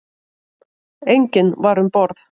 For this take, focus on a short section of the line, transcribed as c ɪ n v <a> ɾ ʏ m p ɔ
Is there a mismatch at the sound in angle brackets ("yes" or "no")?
no